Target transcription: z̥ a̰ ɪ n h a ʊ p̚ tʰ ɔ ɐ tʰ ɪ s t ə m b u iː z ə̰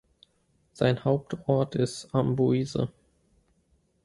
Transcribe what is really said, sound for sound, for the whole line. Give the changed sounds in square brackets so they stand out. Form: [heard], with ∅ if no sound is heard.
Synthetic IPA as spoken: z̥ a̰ ɪ n h a ʊ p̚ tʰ ɔ ɐ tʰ ɪ s t [a] m b u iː z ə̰